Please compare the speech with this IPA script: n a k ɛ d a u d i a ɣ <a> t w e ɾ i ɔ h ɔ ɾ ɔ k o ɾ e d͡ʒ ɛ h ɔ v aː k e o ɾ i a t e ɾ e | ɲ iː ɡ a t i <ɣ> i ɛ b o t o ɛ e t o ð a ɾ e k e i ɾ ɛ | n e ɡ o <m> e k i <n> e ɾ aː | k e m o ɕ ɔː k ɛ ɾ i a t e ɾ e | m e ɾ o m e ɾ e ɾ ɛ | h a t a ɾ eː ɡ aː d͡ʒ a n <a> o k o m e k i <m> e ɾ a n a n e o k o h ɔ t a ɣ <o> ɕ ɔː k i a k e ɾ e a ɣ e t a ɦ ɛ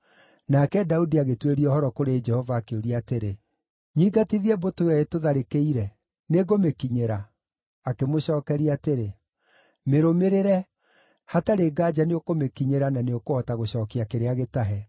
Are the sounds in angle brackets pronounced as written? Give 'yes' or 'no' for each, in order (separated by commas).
no, no, yes, no, no, no, yes